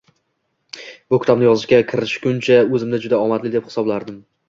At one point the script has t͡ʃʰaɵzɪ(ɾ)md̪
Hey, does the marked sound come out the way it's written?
no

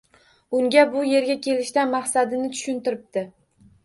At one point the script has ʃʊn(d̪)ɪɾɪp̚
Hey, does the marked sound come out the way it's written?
no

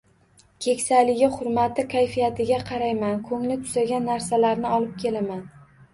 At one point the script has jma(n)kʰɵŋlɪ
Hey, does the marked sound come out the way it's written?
yes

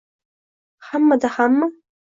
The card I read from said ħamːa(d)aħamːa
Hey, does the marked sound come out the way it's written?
yes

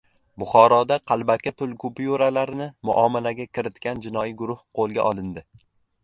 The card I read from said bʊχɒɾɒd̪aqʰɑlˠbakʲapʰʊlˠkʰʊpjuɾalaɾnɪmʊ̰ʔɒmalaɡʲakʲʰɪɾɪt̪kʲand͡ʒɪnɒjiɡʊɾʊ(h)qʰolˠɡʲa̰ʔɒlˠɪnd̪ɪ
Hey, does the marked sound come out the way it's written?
yes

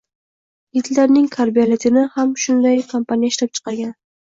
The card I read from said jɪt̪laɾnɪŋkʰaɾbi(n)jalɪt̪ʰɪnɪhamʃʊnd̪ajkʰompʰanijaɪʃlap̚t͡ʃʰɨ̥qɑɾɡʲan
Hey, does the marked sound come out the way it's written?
no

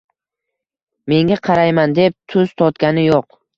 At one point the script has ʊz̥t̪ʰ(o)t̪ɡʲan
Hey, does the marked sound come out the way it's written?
no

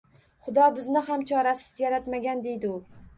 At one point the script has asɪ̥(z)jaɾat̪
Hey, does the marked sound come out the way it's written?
yes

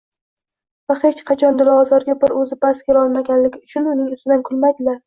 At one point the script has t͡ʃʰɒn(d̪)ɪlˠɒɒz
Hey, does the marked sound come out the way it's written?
yes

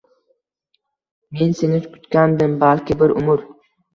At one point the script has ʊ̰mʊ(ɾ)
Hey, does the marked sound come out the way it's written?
yes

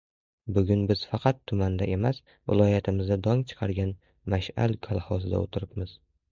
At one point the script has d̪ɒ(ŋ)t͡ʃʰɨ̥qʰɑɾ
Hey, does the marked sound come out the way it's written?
yes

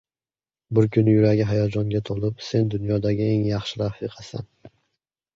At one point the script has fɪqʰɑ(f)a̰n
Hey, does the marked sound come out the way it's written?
no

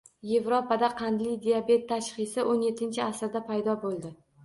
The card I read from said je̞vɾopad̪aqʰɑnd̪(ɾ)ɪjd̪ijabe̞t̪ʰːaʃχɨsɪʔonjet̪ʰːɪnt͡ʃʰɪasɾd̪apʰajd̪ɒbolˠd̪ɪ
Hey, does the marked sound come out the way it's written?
no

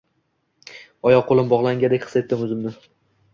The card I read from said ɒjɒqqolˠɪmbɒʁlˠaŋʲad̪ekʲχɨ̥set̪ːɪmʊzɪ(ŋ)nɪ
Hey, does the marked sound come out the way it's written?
no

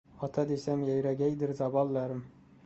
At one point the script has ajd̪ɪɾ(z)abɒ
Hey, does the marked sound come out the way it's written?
yes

